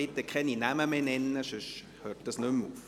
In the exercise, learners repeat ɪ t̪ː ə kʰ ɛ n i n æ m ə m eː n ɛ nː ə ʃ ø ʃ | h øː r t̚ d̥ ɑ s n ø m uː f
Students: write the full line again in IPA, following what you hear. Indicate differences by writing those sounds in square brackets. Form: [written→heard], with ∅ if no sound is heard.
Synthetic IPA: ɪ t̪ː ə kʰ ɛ n i n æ m ə m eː n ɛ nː ə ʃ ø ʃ | h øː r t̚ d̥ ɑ s n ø m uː f

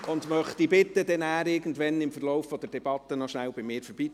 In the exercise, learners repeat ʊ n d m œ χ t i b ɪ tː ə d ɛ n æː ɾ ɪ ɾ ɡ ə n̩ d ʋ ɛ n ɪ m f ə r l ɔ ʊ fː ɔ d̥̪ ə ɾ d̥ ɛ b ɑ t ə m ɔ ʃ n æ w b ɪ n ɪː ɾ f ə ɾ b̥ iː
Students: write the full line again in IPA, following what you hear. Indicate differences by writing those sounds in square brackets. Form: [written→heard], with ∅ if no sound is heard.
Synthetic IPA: ʊ n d m œ χ t i b ɪ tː ə d ɛ n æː ɾ ɪ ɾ ɡ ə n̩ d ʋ ɛ n ɪ m f ə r l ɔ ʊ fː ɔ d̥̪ ə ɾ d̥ ɛ b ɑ t ə [m→n] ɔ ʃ n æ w b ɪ [n→m] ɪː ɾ f ə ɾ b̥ iː

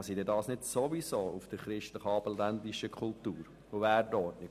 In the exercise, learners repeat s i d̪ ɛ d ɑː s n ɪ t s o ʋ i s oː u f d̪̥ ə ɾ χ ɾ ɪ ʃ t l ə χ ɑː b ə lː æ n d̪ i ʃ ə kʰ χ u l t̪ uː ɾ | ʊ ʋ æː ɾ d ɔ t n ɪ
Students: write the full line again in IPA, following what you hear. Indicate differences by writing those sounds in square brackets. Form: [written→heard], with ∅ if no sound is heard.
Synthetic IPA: s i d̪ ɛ d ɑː s n ɪ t s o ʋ i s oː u f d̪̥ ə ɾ χ ɾ ɪ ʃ t l ə χ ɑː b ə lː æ n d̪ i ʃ ə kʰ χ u l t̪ uː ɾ | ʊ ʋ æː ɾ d ɔ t n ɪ

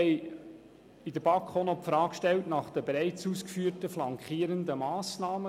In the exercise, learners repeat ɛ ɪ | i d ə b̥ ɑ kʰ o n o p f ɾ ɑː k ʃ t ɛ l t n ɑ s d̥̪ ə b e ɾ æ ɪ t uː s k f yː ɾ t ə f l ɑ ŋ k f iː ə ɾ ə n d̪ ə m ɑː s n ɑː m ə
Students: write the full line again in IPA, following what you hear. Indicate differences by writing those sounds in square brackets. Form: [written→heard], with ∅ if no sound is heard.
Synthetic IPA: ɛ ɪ | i d ə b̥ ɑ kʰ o n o p f ɾ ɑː k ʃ t ɛ l t n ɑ [s→χ] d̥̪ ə b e ɾ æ ɪ [t→t͡s] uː s k f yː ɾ t ə f l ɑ ŋ k [f→χ] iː ə ɾ ə n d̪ ə m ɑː s n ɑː m ə

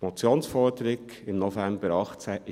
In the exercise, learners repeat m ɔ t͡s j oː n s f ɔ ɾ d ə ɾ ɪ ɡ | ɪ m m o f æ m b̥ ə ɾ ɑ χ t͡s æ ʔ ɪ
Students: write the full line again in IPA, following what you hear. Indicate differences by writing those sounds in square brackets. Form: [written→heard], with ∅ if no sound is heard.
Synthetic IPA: m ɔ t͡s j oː n s f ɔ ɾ d ə ɾ ɪ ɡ | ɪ m [m→n] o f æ m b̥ ə ɾ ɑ χ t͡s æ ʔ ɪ

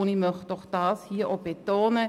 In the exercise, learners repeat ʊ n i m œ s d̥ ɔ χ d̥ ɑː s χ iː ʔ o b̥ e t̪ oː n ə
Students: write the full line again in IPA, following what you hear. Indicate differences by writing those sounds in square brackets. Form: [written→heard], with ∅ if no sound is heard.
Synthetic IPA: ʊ n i m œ [s→χ] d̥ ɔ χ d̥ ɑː s [χ→h] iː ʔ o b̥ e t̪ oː n ə

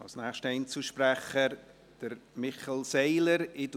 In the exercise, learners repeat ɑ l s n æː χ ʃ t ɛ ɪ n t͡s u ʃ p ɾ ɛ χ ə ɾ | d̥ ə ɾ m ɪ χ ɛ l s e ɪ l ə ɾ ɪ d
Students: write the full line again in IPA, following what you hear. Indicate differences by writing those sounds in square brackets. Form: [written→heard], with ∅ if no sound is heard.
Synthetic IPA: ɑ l s n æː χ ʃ t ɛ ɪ n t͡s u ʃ p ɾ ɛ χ ə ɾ | d̥ ə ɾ m ɪ χ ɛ l s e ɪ l ə ɾ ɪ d

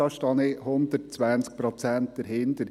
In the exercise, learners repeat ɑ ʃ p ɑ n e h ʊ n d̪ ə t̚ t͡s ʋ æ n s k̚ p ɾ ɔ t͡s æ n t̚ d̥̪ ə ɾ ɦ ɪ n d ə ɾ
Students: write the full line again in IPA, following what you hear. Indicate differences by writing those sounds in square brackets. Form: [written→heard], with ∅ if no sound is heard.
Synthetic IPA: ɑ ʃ [p→t] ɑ n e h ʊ n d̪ ə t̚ t͡s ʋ æ n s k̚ p ɾ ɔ t͡s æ n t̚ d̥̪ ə ɾ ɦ ɪ n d ə ɾ

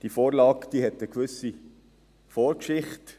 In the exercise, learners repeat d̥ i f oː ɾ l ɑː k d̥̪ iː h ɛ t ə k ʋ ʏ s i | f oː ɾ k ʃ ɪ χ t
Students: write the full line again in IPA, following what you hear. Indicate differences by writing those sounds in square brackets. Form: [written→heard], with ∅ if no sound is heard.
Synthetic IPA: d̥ i f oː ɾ l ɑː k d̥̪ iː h ɛ t ə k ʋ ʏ s i | f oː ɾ k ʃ ɪ χ t

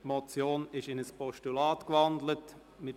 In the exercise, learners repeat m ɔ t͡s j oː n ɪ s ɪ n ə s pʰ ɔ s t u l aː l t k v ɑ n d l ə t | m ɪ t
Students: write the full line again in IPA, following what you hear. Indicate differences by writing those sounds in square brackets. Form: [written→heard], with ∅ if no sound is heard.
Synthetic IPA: m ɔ t͡s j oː n ɪ [s→ʃ] ɪ n ə s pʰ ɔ [s→ʃ] t u l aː [l→∅] t k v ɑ n d l ə t | m ɪ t

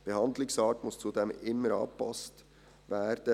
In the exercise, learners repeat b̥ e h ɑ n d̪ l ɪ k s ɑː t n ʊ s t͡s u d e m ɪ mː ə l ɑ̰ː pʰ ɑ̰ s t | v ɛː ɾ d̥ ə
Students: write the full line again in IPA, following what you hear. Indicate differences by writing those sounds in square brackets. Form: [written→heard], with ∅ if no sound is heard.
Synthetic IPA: b̥ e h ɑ n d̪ l ɪ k s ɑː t [n→m] ʊ s t͡s u d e m ɪ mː ə [l→ɾ] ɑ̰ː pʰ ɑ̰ s t | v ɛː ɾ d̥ ə

